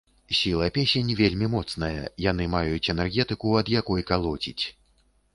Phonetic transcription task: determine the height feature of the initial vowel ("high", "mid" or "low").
high